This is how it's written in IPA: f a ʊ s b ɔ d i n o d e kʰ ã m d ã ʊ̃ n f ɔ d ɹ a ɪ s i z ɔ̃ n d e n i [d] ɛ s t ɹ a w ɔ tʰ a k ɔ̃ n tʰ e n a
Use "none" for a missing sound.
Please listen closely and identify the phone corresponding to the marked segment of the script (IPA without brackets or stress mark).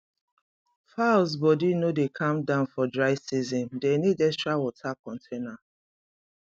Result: d